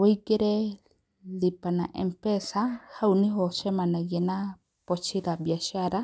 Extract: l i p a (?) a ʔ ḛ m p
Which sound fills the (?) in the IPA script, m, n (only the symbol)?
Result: n